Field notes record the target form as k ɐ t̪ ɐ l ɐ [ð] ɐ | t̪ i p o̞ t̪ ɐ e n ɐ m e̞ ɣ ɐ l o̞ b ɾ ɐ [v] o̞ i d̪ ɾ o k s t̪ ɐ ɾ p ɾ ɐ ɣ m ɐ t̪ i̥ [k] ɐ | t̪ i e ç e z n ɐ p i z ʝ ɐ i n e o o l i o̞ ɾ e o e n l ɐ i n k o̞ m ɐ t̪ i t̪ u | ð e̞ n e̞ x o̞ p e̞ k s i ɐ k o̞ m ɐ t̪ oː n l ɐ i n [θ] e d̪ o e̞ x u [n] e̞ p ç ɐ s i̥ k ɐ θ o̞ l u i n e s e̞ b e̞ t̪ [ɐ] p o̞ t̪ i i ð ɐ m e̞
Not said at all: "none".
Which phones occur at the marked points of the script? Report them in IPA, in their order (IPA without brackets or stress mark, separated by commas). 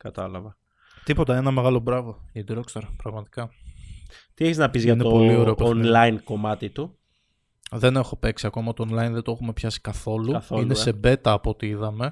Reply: v, v, k, ð, m, ɐː